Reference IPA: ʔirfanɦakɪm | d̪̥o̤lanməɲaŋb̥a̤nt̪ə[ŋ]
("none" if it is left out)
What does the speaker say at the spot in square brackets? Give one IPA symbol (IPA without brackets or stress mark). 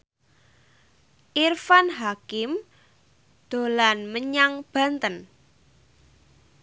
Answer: n